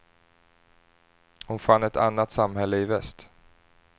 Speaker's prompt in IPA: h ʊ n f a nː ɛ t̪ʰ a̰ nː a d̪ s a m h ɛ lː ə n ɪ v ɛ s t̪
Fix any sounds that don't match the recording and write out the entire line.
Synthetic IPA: h ʊ n f a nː ɛ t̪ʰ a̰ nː a t̪ s a m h ɛ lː ə ɪ v ɛ s t̪

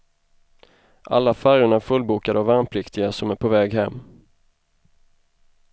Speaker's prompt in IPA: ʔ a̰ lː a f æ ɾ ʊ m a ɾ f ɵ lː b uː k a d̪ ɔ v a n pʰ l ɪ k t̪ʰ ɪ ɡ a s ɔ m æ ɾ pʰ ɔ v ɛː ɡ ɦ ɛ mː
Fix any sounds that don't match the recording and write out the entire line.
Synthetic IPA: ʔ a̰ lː a f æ ɾ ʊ ɳ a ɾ f ɵ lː b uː k a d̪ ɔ v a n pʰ l ɪ k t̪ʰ ɪ ɡ a s ɔ m æ ɾ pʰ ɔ v ɛː ɡ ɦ ɛ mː

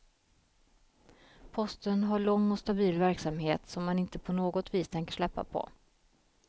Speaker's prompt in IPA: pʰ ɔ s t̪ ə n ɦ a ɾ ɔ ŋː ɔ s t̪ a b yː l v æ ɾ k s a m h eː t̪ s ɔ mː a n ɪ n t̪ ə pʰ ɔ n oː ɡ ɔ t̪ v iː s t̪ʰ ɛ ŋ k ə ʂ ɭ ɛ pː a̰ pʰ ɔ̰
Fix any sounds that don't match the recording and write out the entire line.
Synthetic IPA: pʰ ɔ s t̪ ə n ɦ a ɭ ɔ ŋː ɔ s t̪ a b iː l v æ ɾ k s a m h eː t̪ s ɔ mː a n ɪ n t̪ ə pʰ ɔ n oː ɡ ɔ t̪ v iː s t̪ʰ ɛ ŋ k ə ʂ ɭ ɛ pː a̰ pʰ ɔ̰

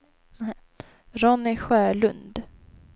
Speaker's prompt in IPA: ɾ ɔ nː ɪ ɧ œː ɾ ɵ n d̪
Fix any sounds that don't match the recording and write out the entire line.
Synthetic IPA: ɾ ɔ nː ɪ ɧ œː ɭ ɵ n d̪

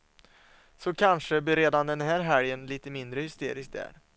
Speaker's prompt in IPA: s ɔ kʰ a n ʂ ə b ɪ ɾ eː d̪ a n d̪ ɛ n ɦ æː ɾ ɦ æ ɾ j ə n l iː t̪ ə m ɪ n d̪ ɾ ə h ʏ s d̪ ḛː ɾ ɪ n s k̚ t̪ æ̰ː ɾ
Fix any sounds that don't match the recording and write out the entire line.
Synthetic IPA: s ɔ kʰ a n ʂ ə b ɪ ɾ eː d̪ a n d̪ ɛ n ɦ æː ɾ ɦ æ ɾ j ə n l iː t̪ ə m ɪ n d̪ ɾ ə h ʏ s t̪ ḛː ɾ ɪ s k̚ d̪ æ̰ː ɾ

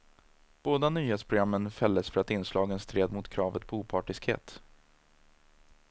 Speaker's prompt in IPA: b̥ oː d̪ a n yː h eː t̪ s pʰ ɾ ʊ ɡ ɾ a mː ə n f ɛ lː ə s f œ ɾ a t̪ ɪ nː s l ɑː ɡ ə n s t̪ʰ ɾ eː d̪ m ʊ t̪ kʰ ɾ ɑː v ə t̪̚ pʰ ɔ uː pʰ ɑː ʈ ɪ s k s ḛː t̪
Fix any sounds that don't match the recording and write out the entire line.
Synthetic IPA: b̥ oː d̪ a n yː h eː t̪ s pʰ ɾ ʊ ɡ ɾ a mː ə n f ɛ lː ə s f œ ɾ a t̪ ɪ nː s l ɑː ɡ ə n s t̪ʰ ɾ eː d̪ m ʊ t̪ kʰ ɾ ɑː v ə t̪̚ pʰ ɔ uː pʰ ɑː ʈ ɪ s k h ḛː t̪

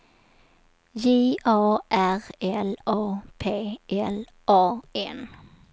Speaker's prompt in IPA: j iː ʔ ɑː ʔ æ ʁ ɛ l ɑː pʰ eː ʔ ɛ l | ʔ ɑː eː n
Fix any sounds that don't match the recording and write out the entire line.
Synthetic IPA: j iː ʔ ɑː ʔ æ ʁ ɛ l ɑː pʰ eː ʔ ɛ l | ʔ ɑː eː n

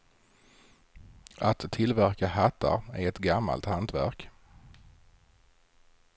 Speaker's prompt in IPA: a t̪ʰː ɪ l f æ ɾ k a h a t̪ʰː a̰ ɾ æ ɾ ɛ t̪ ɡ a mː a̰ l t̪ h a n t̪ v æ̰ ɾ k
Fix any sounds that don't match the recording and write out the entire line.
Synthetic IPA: a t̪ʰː ɪ l v æ ɾ k a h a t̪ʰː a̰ ɾ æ ɾ ɛ t̪ ɡ a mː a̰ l t̪ h a n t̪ v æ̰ ɾ k

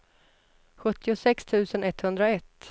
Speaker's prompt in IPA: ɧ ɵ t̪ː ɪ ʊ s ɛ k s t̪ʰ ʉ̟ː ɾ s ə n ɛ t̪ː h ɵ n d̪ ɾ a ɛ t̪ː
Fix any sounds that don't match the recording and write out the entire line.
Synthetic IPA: ɧ ɵ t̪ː ɪ ʊ s ɛ k s t̪ʰ ʉ̟ː s ə n ɛ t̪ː h ɵ n d̪ ɾ a ɛ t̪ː

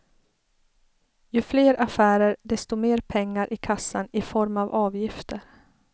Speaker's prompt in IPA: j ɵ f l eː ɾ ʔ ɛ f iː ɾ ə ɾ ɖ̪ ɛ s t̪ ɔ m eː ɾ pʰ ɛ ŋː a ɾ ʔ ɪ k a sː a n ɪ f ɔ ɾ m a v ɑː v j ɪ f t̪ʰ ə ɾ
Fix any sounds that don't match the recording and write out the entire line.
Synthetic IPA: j ɵ f l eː ɾ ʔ a f æː ɾ ə ɾ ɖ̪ ɛ s t̪ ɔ m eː ɾ pʰ ɛ ŋː a ɾ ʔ ɪ kʰ a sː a n ɪ f ɔ ɾ m a v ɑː v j ɪ f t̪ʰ ə ɾ

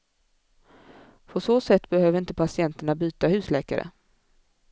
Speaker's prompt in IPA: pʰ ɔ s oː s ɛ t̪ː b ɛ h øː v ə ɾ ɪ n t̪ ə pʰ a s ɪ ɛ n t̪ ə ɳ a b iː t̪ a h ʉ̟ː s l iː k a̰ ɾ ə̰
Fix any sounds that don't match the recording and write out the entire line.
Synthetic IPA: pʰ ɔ s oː s ɛ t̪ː b ɛ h øː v ə ɾ ɪ n t̪ ə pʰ a s ɪ ɛ n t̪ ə ɳ a b yː t̪ a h ʉ̟ː s l ɛː k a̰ ɾ ə̰

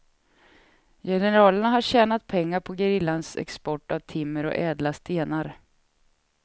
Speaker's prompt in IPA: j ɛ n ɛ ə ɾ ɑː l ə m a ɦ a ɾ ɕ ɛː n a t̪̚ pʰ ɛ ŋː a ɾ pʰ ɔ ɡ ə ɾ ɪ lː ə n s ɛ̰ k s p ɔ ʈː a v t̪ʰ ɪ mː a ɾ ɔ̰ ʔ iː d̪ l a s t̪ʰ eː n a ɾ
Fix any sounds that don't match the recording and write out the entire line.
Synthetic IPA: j ɛ n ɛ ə ɾ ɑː l ə ɳ a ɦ a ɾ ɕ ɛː n a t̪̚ pʰ ɛ ŋː a ɾ pʰ ɔ ɡ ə ɾ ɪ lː a n s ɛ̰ k s p ɔ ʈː a v t̪ʰ ɪ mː ə ɾ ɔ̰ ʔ ɛː d̪ l a s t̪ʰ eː n a ɾ

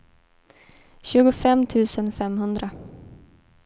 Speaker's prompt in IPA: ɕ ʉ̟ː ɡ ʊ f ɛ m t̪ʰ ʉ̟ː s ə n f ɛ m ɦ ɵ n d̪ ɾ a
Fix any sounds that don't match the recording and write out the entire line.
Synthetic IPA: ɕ ʉ̟ː ɡ ʊ f ɛ m t̪ʰ ʉ̟ː s ə n f ɛ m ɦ ɵ n d̪ ɾ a

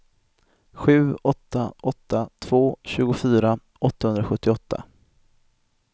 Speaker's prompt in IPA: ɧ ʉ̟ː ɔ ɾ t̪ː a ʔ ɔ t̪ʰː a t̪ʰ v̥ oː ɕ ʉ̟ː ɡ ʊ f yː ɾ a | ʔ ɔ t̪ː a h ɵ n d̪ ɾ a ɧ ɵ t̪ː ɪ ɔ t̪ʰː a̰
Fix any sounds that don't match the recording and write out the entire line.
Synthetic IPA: ɧ ʉ̟ː ɔ t̪ː a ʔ ɔ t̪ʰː a t̪ʰ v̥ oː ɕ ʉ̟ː ɡ ʊ f yː ɾ a | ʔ ɔ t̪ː a h ɵ n d̪ ɾ a ɧ ɵ t̪ː ɪ ɔ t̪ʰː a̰

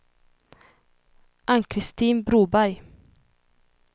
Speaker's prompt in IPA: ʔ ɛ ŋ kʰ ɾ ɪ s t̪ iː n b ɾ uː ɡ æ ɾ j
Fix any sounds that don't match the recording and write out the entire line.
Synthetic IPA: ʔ a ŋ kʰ ɾ ɪ s t̪ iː n b ɾ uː b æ ɾ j

